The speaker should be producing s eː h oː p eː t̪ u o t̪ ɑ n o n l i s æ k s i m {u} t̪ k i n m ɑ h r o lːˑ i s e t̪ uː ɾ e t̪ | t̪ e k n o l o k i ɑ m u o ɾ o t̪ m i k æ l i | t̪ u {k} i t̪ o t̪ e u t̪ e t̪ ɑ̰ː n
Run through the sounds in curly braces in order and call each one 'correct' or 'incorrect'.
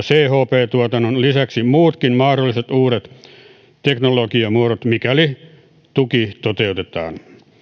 incorrect, correct

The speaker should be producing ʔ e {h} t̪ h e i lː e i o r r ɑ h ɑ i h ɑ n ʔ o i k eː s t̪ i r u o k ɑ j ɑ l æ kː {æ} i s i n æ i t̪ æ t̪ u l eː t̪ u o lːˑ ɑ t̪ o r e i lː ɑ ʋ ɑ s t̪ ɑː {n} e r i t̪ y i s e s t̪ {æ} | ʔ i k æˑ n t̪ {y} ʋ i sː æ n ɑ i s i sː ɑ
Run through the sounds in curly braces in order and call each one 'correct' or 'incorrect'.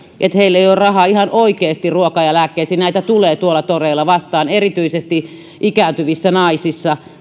incorrect, incorrect, correct, incorrect, correct

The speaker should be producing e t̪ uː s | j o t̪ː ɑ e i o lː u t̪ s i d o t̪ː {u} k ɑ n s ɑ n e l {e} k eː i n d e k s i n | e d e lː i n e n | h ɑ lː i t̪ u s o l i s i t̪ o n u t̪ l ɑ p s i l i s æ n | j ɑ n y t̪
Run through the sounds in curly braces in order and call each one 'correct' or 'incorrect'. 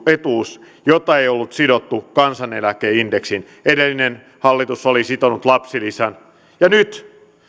correct, incorrect

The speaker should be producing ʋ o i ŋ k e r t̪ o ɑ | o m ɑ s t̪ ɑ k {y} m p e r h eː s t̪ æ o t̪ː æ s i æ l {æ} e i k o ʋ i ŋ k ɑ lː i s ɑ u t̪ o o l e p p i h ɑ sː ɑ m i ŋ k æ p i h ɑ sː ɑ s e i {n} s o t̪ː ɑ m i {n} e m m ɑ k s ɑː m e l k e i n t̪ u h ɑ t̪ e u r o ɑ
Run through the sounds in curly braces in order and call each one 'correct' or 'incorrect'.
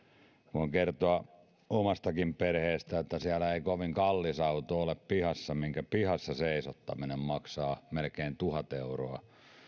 incorrect, correct, incorrect, correct

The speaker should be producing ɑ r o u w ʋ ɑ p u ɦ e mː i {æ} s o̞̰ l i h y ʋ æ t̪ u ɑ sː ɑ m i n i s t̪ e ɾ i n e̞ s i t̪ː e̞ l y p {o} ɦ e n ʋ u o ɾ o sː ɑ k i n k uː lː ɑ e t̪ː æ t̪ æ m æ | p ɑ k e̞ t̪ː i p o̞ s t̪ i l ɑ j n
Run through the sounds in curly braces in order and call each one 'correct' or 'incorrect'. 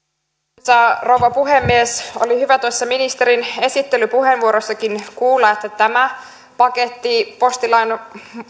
incorrect, incorrect

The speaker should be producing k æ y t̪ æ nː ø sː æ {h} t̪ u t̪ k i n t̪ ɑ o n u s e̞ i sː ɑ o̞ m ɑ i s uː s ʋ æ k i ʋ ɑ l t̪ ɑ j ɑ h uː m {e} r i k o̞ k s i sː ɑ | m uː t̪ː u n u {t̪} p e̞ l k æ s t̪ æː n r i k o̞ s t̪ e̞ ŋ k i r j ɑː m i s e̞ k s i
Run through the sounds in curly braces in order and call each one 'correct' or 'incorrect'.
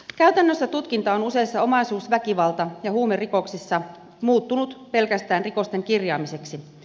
incorrect, correct, correct

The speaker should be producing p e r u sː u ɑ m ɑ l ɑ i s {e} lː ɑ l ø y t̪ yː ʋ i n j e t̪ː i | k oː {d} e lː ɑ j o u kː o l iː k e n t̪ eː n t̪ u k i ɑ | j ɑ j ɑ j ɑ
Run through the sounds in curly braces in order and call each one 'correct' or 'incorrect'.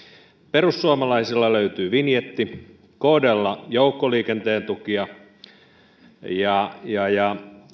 incorrect, correct

